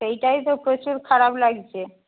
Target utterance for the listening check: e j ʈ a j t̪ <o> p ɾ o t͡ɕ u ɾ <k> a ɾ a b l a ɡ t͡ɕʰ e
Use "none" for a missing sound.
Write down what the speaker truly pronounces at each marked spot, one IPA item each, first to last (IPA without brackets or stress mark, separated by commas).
o, kʰ